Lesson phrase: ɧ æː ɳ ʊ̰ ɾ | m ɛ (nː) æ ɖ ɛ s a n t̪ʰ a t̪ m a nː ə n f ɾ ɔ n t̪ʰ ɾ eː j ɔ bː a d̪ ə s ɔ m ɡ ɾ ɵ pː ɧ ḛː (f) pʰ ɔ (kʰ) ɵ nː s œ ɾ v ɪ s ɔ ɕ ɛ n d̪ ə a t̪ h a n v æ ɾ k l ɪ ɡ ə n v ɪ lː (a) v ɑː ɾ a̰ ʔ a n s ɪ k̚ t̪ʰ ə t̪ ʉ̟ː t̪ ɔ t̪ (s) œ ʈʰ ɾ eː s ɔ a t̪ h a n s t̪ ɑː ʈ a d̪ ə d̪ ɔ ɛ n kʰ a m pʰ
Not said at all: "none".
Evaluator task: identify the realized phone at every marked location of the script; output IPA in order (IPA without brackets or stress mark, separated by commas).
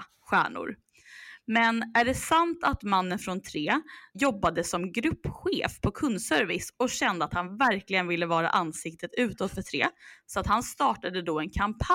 n, f, kʰ, ə, f